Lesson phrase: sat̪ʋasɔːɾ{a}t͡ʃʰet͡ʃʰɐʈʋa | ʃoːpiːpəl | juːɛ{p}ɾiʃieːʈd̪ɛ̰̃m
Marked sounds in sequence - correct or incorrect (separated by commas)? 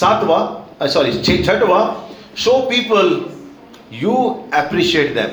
incorrect, correct